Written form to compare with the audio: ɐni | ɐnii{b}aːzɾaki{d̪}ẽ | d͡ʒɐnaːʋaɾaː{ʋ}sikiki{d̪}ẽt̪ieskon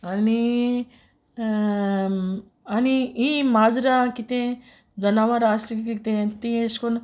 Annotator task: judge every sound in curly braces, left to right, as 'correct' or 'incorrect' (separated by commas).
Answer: incorrect, incorrect, incorrect, incorrect